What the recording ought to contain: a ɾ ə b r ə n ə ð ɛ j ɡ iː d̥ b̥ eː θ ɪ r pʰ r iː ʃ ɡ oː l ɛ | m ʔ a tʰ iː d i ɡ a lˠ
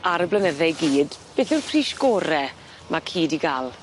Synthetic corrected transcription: a ɾ ə b l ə n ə ð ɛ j ɡ iː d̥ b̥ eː θ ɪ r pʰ r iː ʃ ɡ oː ɾ ɛ | m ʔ a kʰ iː d i ɡ a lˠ